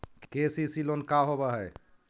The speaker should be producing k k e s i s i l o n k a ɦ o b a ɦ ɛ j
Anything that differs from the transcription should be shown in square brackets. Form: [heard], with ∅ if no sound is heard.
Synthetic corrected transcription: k k e s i s i l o n k a ɦ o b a ɦ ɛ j